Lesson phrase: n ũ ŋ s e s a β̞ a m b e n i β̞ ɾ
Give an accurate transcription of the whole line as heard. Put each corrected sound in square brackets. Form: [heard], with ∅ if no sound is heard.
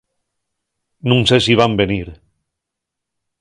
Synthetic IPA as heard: n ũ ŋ s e s [i] β̞ a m b e n i [∅] ɾ

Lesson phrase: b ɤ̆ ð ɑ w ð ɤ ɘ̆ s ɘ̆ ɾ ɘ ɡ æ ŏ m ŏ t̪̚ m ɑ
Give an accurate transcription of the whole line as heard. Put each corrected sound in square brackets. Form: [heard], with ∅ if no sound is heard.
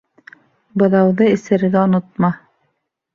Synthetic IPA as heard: b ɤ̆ ð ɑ w ð ɤ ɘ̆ s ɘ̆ ɾ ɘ ɡ æ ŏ [n] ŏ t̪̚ m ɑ

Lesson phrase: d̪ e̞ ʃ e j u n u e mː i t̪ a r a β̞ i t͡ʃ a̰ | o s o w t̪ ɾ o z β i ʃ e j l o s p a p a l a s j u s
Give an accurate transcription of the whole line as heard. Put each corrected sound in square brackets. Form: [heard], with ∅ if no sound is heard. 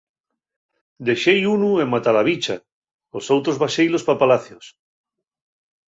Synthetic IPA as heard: d̪ e̞ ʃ e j u n u e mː [a] t̪ a [l] a β̞ i t͡ʃ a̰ | o s o w t̪ ɾ o z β [a] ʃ e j l o s p a p a l a [θ] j [o] s

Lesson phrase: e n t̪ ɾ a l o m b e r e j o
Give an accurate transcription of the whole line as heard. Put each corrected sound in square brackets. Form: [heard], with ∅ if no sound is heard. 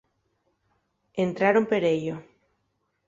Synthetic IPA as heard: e n t̪ ɾ a [ɾ] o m [p] e [ɾ] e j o

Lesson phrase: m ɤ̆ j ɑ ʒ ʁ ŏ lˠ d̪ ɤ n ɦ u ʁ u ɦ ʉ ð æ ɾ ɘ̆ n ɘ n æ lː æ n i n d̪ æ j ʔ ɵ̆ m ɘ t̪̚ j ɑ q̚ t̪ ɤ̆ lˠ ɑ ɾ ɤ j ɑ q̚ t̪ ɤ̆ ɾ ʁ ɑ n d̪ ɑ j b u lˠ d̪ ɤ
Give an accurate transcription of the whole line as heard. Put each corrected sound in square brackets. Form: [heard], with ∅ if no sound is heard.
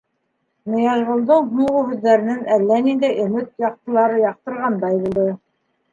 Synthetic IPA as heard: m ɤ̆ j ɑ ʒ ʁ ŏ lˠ d̪ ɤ [ɴ] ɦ u ʁ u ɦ ʉ [ðː] æ ɾ ɘ̆ n ɘ n æ lː æ n i n d̪ æ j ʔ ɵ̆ m ɘ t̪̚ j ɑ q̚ t̪ ɤ̆ lˠ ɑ ɾ ɤ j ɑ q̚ t̪ ɤ̆ ɾ ʁ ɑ n d̪ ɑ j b u lˠ d̪ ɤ

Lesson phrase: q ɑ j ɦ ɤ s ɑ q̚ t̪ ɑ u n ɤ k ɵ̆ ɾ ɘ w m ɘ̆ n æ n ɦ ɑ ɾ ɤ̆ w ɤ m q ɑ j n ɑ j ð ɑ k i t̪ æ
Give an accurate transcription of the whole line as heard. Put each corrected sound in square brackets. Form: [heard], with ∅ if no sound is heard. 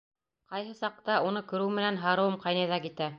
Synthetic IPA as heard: q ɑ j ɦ ɤ s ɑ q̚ t̪ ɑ u n ɤ k ɵ̆ ɾ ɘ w m ɘ̆ n æ n ɦ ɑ ɾ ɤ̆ w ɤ m q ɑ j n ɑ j ð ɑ k i t̪ æ

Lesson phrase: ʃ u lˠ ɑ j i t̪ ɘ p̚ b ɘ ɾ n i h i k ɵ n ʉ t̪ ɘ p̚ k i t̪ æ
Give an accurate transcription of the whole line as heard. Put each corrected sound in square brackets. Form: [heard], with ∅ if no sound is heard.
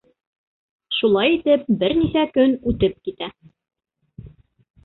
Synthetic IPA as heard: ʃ u lˠ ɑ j i t̪ ɘ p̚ b ɘ ɾ n i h [æ] k ɵ n ʉ t̪ ɘ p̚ k i t̪ æ

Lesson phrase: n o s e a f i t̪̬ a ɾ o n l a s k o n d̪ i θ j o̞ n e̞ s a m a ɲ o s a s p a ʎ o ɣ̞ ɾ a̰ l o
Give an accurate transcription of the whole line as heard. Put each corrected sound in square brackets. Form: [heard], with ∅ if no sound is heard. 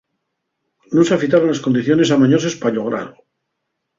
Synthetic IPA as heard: n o s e a f i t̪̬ a ɾ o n l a s k o n d̪ i θ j o̞ n e̞ s a m a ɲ o s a s p a ʎ o ɣ̞ ɾ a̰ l o

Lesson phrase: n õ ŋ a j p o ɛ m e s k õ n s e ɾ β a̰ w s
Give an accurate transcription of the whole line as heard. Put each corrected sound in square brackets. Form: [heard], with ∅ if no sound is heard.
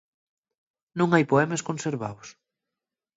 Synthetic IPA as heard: n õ ŋ a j p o ɛ m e s k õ n s e ɾ β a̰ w s

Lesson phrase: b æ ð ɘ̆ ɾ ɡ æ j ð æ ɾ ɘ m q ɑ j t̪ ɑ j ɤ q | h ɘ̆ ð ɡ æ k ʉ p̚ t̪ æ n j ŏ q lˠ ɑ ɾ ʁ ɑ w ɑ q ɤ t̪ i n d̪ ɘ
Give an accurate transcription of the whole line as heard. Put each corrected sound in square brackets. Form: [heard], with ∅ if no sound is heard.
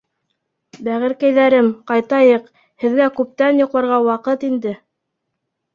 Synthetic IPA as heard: b æ [ʁ] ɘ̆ ɾ [k] æ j ð æ ɾ ɘ m q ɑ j t̪ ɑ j ɤ q | h ɘ̆ ð ɡ æ k ʉ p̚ t̪ æ n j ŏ q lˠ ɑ ɾ ʁ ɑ w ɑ q ɤ t̪ i n d̪ ɘ

